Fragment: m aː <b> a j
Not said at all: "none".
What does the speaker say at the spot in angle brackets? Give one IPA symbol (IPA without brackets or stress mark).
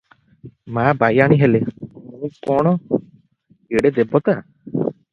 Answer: b